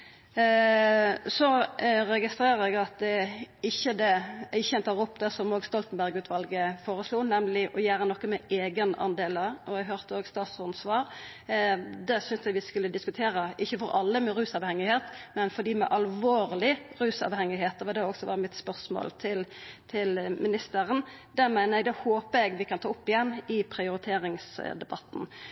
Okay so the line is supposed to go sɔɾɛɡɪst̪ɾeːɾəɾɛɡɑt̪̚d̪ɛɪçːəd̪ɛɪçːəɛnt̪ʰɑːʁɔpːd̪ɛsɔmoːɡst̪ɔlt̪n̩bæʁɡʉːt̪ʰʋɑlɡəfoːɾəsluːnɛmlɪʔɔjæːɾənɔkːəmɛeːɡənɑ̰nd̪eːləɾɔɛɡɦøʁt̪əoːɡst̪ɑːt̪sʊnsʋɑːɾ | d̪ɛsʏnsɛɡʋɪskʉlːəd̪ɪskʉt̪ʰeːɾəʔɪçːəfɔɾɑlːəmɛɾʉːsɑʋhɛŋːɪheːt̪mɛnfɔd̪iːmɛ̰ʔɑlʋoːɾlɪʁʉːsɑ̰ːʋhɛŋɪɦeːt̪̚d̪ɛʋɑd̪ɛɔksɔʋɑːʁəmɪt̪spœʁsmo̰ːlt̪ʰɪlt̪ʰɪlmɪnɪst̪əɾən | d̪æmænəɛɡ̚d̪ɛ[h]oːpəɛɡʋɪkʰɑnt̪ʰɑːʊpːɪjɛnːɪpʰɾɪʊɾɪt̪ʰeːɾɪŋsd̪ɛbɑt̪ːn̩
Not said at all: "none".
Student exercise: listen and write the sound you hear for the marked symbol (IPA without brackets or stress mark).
h